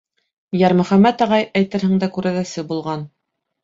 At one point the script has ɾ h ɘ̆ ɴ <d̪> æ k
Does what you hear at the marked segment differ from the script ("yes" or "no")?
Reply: no